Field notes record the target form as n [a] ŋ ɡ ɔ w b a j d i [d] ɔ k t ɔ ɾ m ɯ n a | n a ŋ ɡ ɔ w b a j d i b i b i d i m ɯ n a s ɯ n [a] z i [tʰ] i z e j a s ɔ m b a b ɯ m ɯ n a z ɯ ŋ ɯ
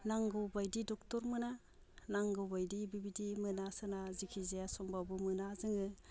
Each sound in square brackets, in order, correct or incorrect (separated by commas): correct, correct, correct, incorrect